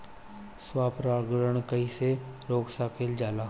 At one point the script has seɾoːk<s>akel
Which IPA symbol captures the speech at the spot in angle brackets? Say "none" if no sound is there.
s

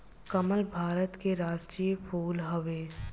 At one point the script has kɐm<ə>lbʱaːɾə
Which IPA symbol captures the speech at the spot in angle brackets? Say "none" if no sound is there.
ə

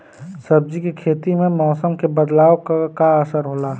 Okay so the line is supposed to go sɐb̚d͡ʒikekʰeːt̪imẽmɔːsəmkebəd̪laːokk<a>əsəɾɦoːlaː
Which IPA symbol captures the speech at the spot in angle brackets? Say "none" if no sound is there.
a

